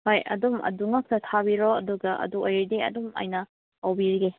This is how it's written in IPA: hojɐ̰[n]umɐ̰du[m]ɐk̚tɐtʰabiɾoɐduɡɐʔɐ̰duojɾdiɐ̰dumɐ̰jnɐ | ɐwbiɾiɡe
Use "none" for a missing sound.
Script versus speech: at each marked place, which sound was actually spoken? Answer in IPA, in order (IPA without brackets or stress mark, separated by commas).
d, ŋ